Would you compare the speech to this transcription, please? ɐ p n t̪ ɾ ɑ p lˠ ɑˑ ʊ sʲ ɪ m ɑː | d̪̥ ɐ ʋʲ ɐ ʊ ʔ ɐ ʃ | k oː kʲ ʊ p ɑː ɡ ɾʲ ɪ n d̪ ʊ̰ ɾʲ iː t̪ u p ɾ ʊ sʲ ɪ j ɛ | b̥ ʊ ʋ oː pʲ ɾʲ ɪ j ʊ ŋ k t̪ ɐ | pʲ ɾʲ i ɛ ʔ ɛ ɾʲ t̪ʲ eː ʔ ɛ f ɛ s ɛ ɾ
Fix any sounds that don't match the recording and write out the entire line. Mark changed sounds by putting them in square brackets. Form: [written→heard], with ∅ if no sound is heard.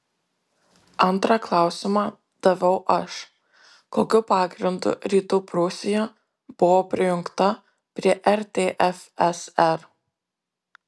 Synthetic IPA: ɐ [p→∅] n t̪ ɾ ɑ [p→k] lˠ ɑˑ ʊ sʲ ɪ m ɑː | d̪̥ ɐ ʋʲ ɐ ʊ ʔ ɐ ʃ | k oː kʲ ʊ p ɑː ɡ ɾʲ ɪ n d̪ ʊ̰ ɾʲ iː t̪ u p ɾ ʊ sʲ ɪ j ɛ | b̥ ʊ ʋ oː pʲ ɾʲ ɪ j ʊ ŋ k t̪ ɐ | pʲ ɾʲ i ɛ ʔ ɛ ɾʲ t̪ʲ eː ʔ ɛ f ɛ s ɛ ɾ